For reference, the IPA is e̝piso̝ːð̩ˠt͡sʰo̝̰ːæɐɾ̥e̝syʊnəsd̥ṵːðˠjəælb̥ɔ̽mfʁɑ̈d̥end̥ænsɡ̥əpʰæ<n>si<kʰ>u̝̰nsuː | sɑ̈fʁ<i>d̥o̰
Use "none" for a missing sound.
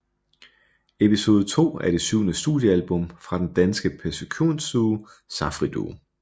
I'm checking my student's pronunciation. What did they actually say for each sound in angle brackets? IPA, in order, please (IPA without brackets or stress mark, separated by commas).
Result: none, kʰ, i